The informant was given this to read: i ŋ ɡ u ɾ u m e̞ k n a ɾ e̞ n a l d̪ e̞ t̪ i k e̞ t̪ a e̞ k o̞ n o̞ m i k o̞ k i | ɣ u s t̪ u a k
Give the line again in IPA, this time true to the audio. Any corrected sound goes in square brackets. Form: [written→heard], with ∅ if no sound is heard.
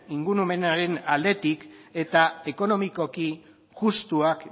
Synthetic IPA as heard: i ŋ ɡ u ɾ u m e̞ [k→∅] n a ɾ e̞ n a l d̪ e̞ t̪ i k e̞ t̪ a e̞ k o̞ n o̞ m i k o̞ k i | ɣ u s t̪ u a k